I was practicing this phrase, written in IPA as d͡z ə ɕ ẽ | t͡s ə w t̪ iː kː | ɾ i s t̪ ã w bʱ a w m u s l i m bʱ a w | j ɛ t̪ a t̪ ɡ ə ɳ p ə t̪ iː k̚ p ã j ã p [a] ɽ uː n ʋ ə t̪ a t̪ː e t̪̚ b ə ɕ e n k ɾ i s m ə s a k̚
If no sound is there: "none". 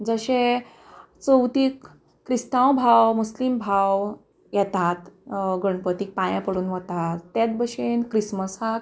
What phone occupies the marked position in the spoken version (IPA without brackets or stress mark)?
ə